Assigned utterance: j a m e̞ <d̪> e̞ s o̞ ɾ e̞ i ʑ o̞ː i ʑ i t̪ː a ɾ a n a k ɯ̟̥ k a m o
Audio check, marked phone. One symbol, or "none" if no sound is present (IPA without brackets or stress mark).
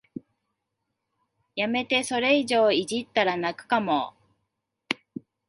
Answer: t̪